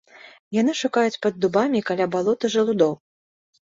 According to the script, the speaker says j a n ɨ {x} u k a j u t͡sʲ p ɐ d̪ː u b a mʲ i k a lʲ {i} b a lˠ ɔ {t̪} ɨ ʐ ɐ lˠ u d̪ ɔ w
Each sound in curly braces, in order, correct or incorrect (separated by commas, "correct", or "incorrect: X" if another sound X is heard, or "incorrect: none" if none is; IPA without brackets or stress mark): incorrect: ʂ, incorrect: a, correct